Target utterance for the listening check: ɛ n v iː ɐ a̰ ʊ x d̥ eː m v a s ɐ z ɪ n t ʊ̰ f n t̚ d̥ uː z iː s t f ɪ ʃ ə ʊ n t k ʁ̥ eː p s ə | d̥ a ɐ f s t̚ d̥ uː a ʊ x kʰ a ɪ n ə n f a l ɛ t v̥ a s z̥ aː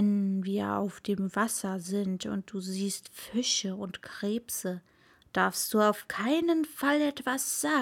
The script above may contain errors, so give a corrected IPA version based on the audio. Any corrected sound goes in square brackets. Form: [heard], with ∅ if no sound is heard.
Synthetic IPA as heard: ɛ n v iː ɐ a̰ ʊ [f] d̥ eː m v a s ɐ z ɪ n t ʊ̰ [∅] n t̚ d̥ uː z iː s t f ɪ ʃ ə ʊ n t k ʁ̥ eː p s ə | d̥ a ɐ f s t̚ d̥ uː a ʊ [f] kʰ a ɪ n ə n f a l ɛ t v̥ a s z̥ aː